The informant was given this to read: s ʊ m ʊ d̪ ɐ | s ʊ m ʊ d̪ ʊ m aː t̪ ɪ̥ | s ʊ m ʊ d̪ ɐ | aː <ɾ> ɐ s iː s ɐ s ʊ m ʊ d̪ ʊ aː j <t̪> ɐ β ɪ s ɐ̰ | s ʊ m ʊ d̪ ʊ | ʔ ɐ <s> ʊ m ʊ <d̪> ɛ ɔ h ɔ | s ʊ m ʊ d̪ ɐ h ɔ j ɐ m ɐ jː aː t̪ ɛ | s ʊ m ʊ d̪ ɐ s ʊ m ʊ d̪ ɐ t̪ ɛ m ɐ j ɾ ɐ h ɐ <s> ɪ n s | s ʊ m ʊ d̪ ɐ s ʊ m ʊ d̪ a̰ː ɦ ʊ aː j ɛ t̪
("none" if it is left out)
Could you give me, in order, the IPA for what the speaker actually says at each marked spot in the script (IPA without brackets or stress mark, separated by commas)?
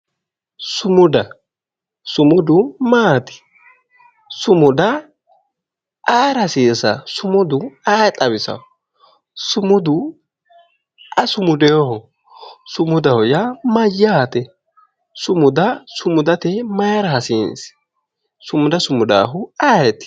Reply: ɾ, t̪ʼ, s, d̪, s